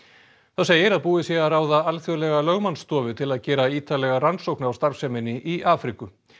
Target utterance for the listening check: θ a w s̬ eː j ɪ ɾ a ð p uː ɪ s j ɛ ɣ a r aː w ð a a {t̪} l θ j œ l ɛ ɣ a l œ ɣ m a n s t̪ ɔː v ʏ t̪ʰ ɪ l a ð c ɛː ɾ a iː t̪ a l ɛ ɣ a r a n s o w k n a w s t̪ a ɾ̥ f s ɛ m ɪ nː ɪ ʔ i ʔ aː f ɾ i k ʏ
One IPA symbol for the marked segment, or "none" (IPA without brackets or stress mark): none